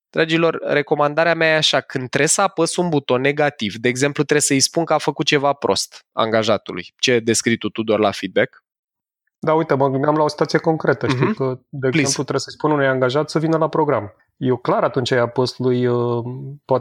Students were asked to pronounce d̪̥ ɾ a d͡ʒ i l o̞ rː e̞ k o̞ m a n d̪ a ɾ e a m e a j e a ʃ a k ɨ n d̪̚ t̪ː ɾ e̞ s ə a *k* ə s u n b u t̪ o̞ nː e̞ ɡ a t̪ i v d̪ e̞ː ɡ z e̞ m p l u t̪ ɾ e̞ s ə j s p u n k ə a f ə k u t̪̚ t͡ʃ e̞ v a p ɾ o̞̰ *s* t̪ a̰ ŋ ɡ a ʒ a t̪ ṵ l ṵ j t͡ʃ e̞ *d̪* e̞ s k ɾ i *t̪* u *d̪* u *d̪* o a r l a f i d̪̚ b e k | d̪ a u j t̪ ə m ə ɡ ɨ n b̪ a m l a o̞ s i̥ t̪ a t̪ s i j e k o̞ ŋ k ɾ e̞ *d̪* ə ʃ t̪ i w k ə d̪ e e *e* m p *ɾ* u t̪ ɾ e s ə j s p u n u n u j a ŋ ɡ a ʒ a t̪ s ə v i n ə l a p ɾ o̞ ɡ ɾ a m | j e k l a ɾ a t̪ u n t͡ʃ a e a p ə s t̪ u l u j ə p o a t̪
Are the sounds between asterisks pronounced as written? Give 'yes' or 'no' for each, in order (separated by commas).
no, yes, yes, yes, no, yes, no, yes, no